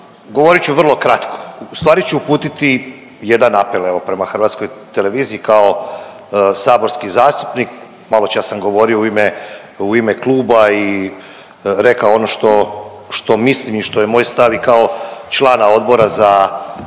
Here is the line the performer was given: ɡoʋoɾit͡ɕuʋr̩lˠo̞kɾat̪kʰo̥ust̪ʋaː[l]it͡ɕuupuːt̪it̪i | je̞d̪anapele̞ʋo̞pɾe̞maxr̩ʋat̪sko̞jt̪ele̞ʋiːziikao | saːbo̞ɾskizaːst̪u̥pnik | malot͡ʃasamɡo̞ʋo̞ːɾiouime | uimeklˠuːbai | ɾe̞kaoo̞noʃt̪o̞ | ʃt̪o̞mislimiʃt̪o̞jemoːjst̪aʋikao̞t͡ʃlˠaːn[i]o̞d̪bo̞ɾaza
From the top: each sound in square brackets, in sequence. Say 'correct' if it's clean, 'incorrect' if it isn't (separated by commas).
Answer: incorrect, incorrect